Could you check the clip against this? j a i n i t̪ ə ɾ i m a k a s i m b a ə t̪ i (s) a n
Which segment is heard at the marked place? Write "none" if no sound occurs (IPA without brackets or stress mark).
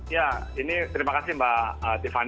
f